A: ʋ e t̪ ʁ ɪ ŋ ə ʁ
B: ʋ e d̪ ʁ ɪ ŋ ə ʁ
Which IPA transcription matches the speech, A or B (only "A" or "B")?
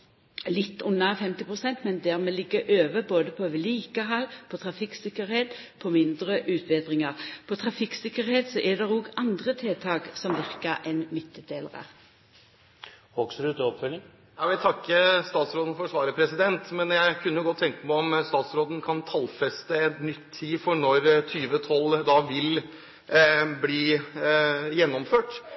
B